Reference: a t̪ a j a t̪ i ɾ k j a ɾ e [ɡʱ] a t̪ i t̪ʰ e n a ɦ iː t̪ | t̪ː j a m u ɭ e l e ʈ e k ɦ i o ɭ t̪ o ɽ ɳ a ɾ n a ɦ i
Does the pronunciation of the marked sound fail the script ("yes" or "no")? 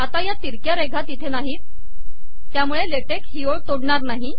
no